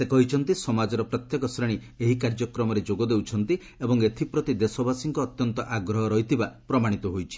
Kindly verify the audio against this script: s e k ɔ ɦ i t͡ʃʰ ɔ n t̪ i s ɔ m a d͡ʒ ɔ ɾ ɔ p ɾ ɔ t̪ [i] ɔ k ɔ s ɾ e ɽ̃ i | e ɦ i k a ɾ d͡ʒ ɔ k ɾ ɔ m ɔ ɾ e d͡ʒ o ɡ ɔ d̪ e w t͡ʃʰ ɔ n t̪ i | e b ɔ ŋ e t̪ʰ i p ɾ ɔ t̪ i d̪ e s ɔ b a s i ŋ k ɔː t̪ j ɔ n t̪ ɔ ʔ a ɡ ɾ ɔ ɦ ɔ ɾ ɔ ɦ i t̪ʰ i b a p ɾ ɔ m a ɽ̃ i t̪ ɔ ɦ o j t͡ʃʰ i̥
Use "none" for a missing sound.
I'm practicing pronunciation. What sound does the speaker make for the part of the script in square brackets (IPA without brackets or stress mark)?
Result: j